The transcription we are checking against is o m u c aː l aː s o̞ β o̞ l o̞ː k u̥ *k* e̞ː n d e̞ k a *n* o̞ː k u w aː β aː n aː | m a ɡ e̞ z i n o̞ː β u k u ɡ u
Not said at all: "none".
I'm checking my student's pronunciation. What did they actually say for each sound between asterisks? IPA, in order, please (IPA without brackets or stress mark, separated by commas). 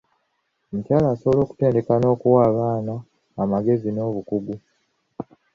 t, n